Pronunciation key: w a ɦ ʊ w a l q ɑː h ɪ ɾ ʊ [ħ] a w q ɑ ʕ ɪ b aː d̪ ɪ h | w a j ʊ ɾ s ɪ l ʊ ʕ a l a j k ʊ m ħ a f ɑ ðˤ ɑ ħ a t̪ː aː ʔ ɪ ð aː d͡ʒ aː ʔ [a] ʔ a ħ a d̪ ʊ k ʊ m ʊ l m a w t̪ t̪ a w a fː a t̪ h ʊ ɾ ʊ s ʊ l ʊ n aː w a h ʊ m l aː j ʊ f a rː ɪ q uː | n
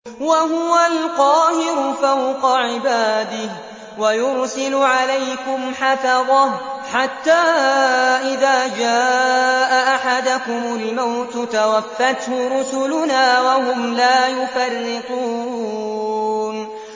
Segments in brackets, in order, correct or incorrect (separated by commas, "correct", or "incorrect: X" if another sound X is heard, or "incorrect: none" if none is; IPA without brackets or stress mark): incorrect: f, correct